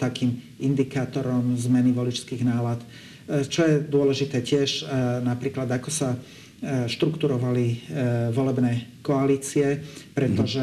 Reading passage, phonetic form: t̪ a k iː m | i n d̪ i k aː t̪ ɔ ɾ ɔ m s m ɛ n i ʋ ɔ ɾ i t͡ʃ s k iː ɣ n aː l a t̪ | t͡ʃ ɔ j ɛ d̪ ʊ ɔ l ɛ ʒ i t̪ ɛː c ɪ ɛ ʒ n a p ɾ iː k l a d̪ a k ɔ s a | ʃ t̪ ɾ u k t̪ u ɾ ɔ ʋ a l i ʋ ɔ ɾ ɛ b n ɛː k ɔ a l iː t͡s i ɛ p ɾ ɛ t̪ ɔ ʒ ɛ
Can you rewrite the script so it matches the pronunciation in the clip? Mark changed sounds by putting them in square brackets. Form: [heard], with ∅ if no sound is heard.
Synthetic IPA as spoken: t̪ a k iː m | i n d̪ i k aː t̪ ɔ ɾ ɔ m [z] m ɛ n i ʋ ɔ [l] i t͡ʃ s k iː ɣ n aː l a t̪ | t͡ʃ ɔ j ɛ d̪ ʊ ɔ l ɛ ʒ i t̪ ɛː c ɪ ɛ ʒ n a p ɾ iː k l a d̪ a k ɔ s a | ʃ t̪ ɾ u k t̪ u ɾ ɔ ʋ a l i ʋ ɔ [l] ɛ b n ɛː k ɔ a l iː t͡s i ɛ p ɾ ɛ t̪ ɔ ʒ ɛ